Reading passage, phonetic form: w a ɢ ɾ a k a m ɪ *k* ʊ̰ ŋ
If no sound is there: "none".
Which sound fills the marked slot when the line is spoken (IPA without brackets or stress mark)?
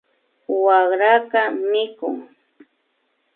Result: k